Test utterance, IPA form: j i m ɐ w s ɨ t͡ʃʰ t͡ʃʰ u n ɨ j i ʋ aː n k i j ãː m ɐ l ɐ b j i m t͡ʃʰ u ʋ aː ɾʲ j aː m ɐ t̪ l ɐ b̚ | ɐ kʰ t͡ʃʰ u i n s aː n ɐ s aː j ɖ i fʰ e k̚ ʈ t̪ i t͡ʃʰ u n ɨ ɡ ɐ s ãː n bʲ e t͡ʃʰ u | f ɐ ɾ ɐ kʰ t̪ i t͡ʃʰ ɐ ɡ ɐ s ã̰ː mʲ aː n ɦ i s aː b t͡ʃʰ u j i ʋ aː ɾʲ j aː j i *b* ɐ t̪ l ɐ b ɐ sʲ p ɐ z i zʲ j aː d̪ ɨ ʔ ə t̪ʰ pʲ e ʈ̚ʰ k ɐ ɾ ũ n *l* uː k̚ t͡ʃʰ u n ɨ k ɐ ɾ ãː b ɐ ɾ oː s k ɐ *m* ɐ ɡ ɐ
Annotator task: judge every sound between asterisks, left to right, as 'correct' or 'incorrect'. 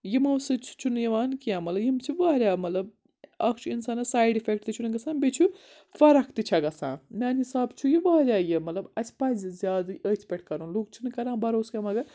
incorrect, correct, correct

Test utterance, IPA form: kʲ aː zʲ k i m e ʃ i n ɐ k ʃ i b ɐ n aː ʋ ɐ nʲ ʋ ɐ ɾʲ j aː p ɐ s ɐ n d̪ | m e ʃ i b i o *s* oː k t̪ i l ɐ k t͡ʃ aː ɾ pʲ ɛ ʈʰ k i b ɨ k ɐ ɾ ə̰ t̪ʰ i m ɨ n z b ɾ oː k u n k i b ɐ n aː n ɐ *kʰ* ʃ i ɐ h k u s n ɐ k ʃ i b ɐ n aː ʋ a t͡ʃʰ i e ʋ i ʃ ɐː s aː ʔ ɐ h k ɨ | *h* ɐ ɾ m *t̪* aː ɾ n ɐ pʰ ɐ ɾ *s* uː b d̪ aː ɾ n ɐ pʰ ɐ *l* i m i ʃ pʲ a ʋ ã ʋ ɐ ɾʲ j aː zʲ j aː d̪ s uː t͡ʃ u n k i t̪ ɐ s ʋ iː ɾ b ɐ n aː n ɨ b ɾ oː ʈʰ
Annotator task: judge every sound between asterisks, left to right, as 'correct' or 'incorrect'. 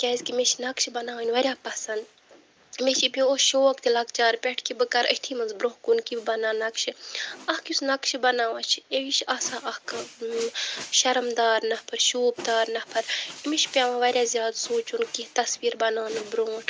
incorrect, incorrect, incorrect, incorrect, incorrect, incorrect

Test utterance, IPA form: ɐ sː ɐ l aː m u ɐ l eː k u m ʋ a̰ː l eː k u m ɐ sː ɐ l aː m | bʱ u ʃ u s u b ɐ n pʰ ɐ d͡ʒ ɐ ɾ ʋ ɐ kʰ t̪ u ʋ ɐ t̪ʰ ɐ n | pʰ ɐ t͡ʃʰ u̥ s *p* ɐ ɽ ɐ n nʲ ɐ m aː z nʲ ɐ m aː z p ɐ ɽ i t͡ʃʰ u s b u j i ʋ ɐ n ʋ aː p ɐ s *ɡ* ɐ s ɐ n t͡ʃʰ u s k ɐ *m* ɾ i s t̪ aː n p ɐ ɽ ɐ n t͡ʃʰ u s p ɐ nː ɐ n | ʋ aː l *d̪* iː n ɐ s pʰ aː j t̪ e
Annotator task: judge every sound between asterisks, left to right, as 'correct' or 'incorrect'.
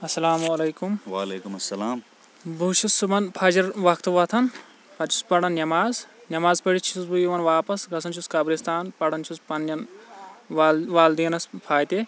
correct, correct, incorrect, correct

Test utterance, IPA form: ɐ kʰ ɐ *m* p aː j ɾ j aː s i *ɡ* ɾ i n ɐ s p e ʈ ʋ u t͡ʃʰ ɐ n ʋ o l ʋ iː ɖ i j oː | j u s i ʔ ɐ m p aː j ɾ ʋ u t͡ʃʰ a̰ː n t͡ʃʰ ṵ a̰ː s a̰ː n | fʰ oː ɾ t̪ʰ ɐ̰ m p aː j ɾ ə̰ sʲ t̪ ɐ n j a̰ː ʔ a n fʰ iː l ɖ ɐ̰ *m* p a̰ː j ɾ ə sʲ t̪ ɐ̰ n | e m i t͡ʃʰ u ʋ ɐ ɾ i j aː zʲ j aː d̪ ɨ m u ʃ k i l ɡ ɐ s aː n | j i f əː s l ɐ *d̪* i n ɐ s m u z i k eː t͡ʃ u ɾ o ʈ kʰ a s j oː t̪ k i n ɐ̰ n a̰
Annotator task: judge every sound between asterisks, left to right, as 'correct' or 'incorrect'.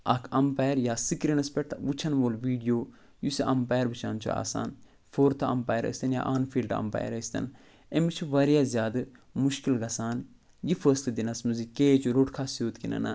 correct, incorrect, correct, correct

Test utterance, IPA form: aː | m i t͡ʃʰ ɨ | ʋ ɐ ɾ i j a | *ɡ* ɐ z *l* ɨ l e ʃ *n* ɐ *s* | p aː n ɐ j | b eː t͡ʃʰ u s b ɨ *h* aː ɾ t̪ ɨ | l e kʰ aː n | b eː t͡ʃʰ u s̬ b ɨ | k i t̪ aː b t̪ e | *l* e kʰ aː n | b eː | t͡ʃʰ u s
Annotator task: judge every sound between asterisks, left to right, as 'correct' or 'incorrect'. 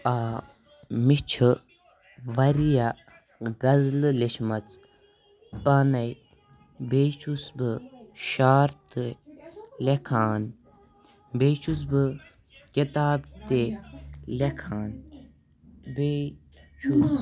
correct, correct, incorrect, incorrect, incorrect, correct

